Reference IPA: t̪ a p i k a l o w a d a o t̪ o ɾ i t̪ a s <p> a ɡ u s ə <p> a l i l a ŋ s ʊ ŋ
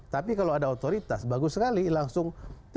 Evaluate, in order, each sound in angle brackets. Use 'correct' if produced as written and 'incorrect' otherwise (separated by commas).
incorrect, incorrect